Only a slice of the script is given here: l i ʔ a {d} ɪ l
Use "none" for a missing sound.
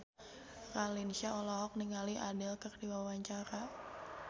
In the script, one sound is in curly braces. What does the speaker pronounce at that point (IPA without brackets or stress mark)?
d